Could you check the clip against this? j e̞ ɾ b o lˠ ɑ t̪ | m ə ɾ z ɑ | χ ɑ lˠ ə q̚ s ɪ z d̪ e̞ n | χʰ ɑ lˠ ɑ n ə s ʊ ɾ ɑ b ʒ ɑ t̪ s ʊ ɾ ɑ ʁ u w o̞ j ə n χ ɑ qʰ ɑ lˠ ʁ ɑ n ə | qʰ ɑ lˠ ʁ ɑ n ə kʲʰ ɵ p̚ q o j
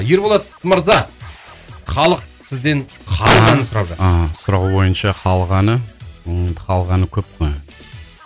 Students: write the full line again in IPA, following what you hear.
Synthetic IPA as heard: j e̞ ɾ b o lˠ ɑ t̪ | m ə ɾ z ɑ | χ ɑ lˠ ə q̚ s ɪ z d̪ e̞ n | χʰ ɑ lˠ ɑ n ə s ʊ ɾ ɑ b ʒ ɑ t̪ s ʊ ɾ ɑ ʁ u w o̞ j ə n ʃ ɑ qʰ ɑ lˠ ʁ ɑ n ə | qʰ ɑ lˠ ʁ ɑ n ə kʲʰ ɵ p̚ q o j